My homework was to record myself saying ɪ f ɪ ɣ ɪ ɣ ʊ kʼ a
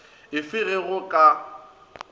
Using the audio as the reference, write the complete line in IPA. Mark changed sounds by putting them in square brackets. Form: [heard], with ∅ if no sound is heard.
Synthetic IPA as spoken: ɪ f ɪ ɣ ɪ ɣ ʊ kʼ a